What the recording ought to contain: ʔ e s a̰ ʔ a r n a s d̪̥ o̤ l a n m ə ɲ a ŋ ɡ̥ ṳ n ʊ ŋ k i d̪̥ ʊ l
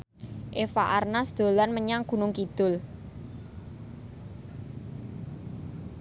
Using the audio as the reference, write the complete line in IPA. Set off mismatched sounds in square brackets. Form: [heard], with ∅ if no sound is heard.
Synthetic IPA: ʔ e [f] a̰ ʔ a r n a s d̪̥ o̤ l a n m ə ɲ a ŋ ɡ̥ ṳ n ʊ ŋ k i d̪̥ ʊ l